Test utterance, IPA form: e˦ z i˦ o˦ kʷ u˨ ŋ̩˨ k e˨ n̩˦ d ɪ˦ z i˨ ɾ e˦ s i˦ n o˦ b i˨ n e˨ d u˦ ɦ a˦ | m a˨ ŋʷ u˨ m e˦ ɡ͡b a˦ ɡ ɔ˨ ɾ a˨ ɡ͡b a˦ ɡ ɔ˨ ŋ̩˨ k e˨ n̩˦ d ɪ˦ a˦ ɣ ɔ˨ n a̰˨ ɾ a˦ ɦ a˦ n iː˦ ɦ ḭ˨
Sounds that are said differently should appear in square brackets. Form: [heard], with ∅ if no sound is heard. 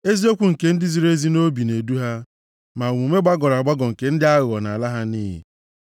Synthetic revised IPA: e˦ z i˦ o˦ kʷ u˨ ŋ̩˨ k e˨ n̩˦ d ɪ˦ z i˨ ɾ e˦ [z] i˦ n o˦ b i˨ n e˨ d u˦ ɦ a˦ | m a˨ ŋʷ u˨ m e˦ ɡ͡b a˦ ɡ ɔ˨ ɾ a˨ ɡ͡b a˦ ɡ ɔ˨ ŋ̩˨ k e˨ n̩˦ d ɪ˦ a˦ ɣ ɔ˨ n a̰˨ [l] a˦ ɦ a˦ n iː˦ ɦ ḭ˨